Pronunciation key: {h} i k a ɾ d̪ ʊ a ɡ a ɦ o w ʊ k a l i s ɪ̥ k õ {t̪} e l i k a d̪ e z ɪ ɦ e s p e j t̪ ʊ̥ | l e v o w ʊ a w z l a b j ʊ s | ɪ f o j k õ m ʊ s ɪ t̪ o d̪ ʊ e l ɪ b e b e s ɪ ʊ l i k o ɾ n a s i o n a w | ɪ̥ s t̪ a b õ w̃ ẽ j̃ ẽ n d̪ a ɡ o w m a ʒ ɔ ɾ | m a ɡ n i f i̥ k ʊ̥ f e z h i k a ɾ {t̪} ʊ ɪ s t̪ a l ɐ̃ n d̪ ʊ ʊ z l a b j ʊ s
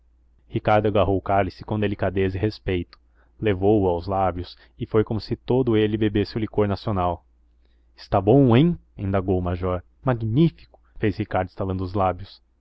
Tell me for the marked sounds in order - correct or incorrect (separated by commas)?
correct, incorrect, incorrect